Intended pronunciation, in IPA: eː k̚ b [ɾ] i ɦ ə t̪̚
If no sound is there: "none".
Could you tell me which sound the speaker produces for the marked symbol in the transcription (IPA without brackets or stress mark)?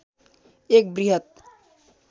ɾ